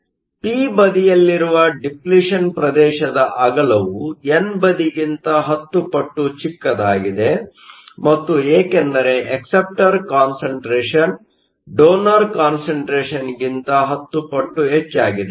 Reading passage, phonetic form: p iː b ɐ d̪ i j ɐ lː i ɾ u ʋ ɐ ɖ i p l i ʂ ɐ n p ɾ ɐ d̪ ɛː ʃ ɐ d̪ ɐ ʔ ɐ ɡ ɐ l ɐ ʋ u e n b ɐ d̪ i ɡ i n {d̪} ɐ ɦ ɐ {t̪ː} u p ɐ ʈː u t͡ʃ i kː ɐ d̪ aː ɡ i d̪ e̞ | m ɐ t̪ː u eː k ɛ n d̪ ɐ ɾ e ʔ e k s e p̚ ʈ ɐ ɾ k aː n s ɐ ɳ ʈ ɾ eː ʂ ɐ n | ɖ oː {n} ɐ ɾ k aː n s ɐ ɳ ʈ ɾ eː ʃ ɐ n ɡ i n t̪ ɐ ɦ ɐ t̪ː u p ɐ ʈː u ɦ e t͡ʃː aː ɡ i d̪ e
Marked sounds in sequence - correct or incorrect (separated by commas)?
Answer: incorrect, correct, correct